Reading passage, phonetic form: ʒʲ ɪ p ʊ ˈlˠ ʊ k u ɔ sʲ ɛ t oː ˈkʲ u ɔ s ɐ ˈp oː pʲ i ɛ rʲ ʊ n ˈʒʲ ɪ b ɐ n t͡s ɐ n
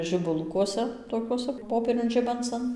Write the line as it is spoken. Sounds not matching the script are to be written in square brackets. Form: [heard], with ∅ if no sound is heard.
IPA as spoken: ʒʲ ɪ [b] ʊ ˈlˠ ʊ k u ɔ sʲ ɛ t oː ˈkʲ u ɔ s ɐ ˈp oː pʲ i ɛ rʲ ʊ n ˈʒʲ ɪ b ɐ n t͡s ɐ n